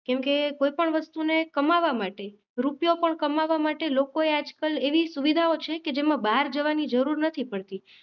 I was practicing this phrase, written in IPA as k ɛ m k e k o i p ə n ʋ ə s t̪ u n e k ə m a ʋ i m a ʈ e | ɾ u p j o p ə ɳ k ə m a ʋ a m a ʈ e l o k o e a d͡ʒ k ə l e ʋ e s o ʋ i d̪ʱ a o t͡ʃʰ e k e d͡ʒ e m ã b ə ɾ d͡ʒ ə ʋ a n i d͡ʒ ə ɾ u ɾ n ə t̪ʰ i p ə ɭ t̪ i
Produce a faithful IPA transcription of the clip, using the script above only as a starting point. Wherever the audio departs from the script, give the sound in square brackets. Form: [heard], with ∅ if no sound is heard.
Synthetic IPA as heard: k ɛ m k e k o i p ə [ɳ] ʋ ə s t̪ u n e k ə m a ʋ [a] m a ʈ e | ɾ u p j o p ə ɳ k ə m a ʋ a m a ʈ e l o k o e a d͡ʒ k ə l e ʋ [i] s [u] ʋ i d̪ʱ a o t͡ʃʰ e k e d͡ʒ e m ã b [a] ɾ d͡ʒ ə ʋ a n i d͡ʒ ə ɾ u ɾ n ə t̪ʰ i p ə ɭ t̪ i